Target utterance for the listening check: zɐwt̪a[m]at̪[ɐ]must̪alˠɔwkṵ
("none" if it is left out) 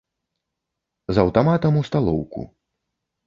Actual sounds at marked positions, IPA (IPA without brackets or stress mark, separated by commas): m, ɐ